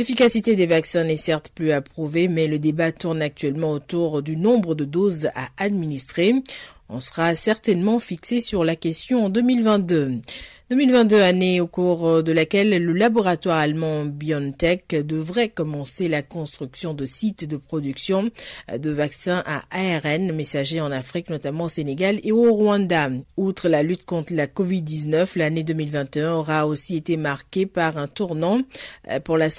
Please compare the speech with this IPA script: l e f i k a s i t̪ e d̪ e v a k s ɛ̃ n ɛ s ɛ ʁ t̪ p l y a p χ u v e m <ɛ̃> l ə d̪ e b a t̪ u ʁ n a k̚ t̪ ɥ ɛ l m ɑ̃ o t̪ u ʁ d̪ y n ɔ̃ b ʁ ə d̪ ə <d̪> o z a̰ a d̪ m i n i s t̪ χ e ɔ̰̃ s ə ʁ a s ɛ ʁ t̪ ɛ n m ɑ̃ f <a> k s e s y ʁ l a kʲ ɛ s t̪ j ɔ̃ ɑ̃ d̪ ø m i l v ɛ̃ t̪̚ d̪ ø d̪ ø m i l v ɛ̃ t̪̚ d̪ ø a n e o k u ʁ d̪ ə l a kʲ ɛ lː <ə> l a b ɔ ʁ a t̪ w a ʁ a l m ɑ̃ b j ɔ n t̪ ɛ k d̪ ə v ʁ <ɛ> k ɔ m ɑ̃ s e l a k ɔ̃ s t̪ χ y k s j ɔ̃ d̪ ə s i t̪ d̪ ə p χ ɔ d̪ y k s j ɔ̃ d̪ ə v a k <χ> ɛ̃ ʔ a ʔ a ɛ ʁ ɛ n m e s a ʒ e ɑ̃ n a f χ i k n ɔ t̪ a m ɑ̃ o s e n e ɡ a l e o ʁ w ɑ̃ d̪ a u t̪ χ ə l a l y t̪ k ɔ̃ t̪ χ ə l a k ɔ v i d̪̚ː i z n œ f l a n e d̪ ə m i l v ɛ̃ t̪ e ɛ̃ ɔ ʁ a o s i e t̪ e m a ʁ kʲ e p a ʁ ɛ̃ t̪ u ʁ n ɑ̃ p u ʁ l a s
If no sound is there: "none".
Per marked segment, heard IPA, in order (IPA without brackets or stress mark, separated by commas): ɛ, d̪, i, ə, ɛ, s